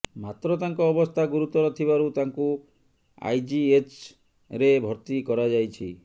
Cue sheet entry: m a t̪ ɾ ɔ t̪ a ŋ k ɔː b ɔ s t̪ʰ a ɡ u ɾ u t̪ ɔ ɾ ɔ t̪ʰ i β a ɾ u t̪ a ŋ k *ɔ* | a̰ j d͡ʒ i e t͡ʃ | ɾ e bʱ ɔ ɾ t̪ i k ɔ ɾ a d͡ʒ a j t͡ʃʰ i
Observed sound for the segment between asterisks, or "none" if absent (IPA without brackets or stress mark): u